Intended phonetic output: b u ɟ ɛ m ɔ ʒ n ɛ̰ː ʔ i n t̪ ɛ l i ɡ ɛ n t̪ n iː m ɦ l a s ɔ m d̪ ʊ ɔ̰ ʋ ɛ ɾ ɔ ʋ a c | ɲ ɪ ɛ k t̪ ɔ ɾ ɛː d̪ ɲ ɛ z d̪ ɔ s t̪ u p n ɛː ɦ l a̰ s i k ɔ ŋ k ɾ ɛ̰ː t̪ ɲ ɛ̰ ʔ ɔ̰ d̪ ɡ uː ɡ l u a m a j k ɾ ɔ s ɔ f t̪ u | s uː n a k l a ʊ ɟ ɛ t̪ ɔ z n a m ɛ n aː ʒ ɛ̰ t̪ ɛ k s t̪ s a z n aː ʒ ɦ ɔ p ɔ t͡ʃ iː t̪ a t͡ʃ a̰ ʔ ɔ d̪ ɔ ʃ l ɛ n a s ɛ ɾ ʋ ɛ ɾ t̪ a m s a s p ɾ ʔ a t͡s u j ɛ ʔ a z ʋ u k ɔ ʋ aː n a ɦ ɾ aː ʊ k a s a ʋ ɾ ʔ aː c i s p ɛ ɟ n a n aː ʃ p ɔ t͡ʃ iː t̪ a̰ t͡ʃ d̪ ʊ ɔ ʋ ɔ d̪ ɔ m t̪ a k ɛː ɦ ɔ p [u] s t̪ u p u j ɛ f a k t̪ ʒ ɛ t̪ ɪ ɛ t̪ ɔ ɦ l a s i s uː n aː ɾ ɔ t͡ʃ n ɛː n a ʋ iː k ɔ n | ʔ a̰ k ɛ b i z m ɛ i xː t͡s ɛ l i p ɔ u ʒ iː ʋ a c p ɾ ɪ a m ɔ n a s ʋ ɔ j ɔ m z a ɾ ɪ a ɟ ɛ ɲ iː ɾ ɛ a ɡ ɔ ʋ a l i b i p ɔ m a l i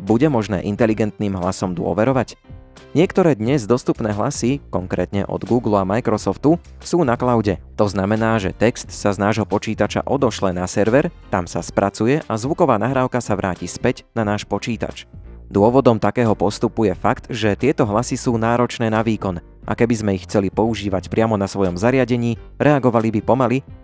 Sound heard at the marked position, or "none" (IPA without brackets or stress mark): ɔ